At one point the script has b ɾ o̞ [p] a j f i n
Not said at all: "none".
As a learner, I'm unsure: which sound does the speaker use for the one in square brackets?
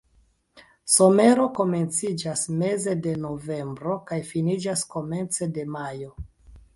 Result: k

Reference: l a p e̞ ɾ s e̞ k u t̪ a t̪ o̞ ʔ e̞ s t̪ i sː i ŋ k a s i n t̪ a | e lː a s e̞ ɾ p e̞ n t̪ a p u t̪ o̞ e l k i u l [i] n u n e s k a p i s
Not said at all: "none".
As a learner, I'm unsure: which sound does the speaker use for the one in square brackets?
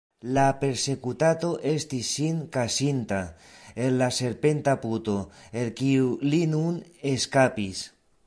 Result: i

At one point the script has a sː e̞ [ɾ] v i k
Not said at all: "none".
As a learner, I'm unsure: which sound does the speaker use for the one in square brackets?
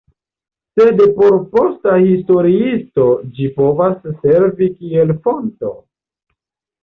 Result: ɾ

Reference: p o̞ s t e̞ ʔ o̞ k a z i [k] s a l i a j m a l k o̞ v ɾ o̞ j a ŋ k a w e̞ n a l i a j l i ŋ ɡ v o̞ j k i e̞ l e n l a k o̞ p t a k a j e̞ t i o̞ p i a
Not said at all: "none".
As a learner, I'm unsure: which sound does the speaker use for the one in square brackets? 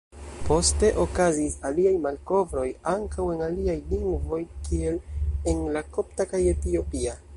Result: none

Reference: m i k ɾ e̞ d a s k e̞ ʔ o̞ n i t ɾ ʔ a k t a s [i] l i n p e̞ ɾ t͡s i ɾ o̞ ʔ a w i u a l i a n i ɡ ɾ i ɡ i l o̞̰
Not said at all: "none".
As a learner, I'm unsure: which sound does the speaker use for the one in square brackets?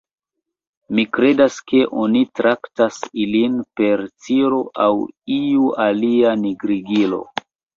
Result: i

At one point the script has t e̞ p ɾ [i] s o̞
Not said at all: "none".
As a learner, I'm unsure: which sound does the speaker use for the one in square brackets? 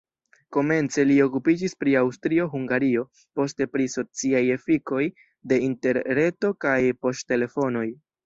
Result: i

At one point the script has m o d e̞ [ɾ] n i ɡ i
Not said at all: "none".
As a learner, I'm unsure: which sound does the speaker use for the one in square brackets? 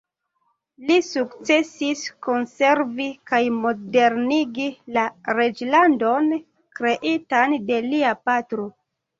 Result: ɾ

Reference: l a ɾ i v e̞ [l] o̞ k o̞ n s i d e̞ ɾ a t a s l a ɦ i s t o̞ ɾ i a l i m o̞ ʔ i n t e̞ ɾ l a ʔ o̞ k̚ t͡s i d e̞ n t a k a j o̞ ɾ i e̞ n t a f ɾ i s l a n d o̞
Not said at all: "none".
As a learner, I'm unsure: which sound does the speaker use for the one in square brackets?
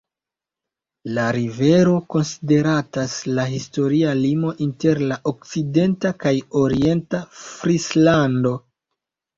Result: ɾ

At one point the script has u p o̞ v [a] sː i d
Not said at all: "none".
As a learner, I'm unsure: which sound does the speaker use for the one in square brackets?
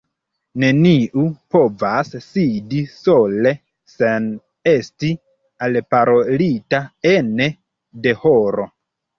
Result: a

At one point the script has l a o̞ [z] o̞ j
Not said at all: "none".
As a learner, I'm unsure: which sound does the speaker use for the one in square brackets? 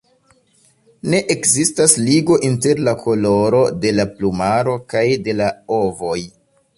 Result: v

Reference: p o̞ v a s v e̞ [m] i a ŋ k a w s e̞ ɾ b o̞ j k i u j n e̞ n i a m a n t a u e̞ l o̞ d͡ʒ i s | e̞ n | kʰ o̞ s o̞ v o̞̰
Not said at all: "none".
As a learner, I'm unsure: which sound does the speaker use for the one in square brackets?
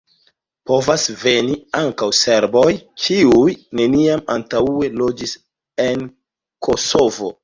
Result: n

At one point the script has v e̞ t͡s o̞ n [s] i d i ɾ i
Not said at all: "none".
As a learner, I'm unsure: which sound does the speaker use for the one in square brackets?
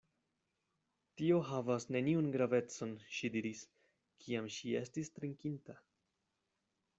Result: ʃ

